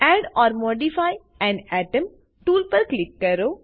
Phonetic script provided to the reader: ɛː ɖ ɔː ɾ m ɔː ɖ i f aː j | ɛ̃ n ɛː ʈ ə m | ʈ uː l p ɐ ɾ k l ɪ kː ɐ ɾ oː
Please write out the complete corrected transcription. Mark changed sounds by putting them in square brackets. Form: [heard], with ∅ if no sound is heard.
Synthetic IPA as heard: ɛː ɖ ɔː ɾ m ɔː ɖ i f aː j | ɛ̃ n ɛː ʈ ə m | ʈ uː l p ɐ ɾ k l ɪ kː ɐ ɾ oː